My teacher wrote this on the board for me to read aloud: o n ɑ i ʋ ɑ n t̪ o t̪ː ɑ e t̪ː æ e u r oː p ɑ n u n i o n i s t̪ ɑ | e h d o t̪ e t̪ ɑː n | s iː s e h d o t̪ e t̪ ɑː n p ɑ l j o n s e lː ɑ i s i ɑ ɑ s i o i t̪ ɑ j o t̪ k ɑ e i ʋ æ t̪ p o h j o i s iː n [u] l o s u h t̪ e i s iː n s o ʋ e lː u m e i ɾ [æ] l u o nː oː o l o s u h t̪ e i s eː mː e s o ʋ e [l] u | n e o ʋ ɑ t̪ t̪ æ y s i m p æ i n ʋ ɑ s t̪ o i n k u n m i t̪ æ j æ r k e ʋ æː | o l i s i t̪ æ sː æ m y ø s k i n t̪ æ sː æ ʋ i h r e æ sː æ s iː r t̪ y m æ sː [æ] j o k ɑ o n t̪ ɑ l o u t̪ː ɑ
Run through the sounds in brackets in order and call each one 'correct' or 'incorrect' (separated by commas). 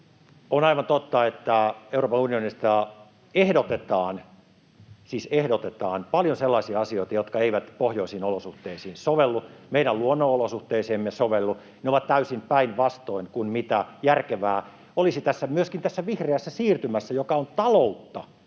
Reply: incorrect, correct, incorrect, correct